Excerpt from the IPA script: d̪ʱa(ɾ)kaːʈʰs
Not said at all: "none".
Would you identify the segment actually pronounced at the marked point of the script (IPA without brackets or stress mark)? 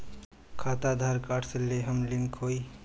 ɾ